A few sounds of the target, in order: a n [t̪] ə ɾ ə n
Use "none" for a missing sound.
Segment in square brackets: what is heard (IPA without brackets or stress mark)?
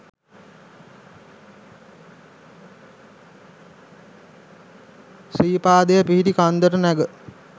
d̪